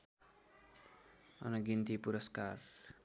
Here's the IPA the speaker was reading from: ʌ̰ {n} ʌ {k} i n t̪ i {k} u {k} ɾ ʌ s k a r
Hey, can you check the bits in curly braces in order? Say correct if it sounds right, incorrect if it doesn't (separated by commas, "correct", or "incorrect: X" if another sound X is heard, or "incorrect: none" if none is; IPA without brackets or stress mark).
correct, incorrect: ɡ, incorrect: p, incorrect: none